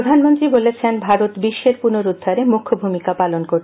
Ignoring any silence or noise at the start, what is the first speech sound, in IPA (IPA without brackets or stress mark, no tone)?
d̪ʱ